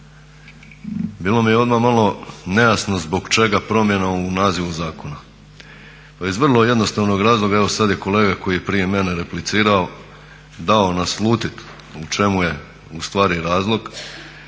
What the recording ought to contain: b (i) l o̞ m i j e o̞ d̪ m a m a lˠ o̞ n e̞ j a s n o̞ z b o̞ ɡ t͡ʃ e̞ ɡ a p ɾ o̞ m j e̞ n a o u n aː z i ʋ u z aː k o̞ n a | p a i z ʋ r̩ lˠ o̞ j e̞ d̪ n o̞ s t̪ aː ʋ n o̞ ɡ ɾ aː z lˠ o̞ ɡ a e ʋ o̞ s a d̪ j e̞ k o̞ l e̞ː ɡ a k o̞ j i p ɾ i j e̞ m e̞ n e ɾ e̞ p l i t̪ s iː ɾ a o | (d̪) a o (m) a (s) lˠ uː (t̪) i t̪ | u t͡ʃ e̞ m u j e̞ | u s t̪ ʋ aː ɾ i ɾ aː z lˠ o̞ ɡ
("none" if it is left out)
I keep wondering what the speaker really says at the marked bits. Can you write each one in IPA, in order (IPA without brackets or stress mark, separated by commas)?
iː, d̪, n, s, t̪